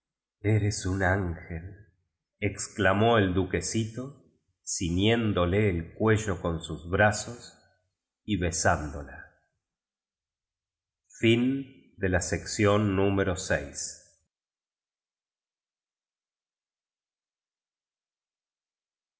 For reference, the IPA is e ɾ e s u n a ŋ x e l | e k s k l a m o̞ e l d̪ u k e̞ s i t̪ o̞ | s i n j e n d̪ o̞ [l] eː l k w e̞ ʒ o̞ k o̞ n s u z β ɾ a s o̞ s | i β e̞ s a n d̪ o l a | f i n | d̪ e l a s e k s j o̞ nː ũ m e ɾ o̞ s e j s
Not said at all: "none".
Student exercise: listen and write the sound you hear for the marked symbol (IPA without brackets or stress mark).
l